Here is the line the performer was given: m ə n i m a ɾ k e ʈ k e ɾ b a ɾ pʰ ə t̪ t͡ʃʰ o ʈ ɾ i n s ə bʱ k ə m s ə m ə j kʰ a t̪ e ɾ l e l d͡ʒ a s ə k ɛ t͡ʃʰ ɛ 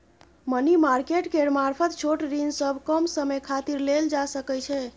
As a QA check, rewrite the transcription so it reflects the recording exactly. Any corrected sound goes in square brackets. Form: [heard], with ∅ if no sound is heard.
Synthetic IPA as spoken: m ə n i m a ɾ k e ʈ k e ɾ [m] a ɾ pʰ ə t̪ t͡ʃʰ o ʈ ɾ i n s ə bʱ k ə m s ə m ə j kʰ a t̪ [i] ɾ l e l d͡ʒ a s ə k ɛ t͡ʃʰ ɛ